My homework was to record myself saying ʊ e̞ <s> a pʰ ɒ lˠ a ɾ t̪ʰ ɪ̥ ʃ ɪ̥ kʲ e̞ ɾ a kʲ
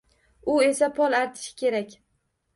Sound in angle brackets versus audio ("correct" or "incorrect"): correct